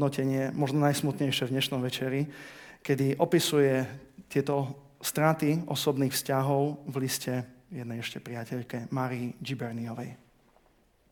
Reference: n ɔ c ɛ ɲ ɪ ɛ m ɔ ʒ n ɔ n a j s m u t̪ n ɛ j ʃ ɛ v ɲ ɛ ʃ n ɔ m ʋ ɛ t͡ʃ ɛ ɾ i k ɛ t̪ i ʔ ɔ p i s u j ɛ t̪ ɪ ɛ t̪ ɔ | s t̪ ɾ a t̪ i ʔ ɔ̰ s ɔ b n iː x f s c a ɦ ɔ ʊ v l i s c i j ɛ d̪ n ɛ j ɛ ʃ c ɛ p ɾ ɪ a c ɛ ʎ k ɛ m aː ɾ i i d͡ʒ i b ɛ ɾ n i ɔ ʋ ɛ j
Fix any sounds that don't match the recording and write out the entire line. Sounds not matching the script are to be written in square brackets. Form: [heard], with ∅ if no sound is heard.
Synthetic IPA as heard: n ɔ c ɛ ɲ ɪ ɛ m ɔ ʒ n ɔ n a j s m u t̪ [ɲ] ɛ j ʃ ɛ v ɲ ɛ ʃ n ɔ m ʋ ɛ t͡ʃ ɛ ɾ i k ɛ [d̪] i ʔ ɔ p i s u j ɛ t̪ ɪ ɛ t̪ ɔ | s t̪ ɾ a t̪ i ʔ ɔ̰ s ɔ b n iː x f s c a ɦ ɔ ʊ v l i s c [ɛ] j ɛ d̪ n ɛ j ɛ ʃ c ɛ p ɾ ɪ a c ɛ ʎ k ɛ m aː ɾ i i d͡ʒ i b ɛ ɾ n i ɔ ʋ ɛ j